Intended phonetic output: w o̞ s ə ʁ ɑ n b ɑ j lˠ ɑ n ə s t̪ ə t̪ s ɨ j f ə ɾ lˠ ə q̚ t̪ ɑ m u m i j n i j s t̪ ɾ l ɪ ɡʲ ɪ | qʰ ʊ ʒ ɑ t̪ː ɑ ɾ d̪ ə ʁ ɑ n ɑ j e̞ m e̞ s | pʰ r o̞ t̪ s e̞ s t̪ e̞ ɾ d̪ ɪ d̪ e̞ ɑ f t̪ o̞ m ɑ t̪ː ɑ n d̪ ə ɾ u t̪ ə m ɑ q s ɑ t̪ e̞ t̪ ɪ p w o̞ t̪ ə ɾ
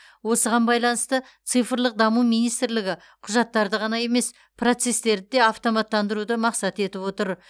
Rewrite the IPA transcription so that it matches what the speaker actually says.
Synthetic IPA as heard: w o̞ s ə ʁ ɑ n b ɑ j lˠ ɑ n ə s t̪ ə t̪ s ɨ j f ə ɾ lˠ ə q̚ d̪ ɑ m u m i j n i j s t̪ ɾ l ɪ ɡʲ ɪ | qʰ ʊ ʒ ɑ t̪ː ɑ ɾ d̪ ə ʁ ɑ n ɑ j e̞ m e̞ s | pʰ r o̞ t̪ s e̞ s t̪ e̞ ɾ d̪ ɪ d̪ e̞ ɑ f t̪ o̞ m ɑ t̪ː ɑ n d̪ ə ɾ u d̪ ə m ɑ q s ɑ t̪ e̞ t̪ ɪ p w o̞ t̪ ə ɾ